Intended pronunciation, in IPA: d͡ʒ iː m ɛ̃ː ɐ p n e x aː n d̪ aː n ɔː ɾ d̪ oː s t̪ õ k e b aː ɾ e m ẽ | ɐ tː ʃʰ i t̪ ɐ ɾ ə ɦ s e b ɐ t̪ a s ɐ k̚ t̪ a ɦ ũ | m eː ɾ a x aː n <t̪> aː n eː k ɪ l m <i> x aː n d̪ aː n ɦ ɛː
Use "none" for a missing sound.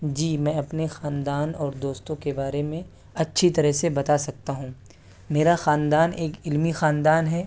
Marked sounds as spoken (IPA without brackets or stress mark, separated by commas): d̪, i